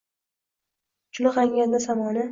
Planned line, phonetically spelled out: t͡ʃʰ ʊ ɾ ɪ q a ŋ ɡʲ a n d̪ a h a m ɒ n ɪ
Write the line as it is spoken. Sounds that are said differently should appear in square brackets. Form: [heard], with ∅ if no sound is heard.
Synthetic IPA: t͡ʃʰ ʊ [l] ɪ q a ŋ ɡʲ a n d̪ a [s] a m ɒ n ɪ